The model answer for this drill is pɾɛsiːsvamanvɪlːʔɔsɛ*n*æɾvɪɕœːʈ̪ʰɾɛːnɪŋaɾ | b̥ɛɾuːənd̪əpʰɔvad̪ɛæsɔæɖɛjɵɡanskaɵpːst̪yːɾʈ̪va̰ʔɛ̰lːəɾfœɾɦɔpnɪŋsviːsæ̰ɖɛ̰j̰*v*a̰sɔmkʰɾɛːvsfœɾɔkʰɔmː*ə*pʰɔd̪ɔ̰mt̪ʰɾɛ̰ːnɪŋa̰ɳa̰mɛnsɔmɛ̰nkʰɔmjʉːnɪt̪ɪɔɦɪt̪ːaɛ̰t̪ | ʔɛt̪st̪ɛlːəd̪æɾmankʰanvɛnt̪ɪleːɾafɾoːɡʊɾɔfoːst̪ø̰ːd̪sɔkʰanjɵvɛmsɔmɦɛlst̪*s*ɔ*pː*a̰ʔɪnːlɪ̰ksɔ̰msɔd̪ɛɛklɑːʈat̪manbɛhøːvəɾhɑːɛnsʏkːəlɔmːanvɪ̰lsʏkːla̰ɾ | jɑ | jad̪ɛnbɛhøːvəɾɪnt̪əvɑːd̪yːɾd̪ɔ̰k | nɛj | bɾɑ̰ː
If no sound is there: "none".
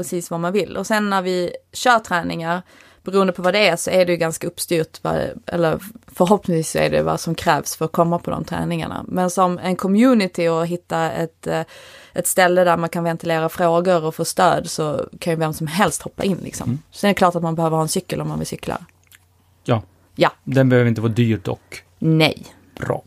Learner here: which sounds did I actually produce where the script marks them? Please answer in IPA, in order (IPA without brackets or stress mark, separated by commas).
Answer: nː, v, a, h, pː